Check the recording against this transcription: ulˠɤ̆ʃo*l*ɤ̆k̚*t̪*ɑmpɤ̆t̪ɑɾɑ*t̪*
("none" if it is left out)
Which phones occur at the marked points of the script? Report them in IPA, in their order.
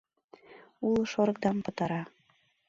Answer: ɾ, d̪, none

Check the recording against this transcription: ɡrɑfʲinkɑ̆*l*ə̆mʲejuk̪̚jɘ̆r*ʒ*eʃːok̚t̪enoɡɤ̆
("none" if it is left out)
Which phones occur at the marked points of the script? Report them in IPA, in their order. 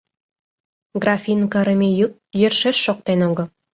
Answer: ɾ, ʃ

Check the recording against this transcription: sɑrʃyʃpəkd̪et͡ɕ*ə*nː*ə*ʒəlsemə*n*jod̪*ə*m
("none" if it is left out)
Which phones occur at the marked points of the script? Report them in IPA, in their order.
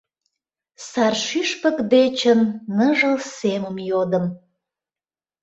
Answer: ə, ə, m, ə

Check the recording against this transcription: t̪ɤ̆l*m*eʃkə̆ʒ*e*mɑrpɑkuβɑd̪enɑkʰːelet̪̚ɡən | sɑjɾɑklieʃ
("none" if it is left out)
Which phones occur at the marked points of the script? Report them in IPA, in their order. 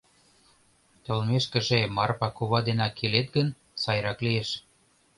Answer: m, e

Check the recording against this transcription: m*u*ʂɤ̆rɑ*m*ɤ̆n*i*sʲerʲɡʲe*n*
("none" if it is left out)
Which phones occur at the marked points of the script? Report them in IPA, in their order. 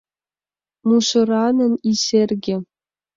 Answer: u, n, i, none

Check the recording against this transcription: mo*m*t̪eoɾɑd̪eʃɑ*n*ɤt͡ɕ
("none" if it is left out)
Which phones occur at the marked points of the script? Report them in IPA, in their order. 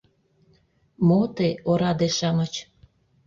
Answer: none, m

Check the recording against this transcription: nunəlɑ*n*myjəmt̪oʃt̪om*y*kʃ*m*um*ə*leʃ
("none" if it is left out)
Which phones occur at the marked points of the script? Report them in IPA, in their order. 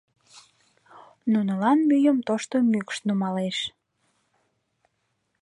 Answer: n, y, n, ɑ

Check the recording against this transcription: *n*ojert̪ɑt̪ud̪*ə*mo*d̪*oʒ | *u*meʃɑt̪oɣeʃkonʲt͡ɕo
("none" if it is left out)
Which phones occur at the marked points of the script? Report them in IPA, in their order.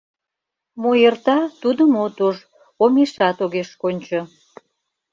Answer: m, ə, t̪, o

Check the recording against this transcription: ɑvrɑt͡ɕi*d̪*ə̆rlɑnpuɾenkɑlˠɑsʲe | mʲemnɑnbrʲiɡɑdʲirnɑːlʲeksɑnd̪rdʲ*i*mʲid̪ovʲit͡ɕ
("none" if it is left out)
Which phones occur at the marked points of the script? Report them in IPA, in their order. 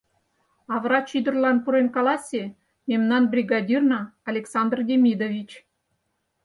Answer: d̪, e

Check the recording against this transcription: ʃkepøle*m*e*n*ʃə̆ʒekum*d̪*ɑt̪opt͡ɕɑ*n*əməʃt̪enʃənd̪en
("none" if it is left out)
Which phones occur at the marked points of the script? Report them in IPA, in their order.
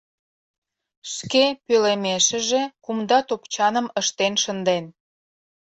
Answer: m, none, d̪, n

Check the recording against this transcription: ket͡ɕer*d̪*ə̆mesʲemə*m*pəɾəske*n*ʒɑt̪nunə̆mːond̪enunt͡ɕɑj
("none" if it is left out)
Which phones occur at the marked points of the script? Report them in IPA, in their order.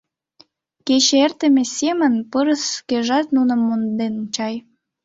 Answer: t̪, n, none

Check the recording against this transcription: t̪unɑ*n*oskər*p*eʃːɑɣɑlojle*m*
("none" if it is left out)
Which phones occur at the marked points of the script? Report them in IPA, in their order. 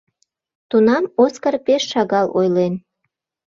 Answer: m, p, n

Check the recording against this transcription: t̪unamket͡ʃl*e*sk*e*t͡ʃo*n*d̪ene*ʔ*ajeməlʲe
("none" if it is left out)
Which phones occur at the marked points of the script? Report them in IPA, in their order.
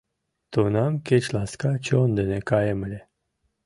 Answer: a, a, n, k

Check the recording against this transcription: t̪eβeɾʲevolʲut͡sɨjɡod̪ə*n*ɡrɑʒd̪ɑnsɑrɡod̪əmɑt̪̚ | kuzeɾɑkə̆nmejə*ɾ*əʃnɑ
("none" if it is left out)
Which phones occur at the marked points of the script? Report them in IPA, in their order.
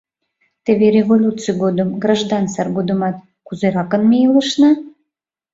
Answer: m, l

